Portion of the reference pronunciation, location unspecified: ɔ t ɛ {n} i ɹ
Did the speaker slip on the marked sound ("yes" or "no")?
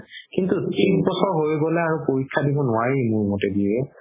yes